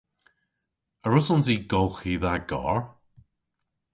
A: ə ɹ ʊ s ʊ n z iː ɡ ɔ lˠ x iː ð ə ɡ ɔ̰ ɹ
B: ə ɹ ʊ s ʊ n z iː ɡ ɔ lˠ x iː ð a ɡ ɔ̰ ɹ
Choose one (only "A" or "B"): B